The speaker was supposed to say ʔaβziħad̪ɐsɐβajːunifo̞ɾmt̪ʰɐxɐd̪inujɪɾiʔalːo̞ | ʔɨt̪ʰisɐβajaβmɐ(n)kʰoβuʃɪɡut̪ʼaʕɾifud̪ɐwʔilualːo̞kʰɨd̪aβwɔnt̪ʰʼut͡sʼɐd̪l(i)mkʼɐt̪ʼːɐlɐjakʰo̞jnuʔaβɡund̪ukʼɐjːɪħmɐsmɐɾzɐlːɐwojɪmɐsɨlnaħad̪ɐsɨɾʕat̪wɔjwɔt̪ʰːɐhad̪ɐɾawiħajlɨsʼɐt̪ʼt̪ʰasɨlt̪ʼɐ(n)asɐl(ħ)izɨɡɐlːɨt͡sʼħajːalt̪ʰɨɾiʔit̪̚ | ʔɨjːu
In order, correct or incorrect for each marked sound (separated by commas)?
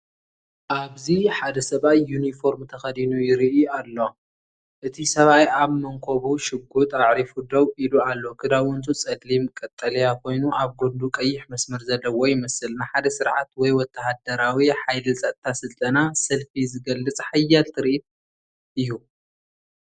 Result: incorrect, correct, correct, incorrect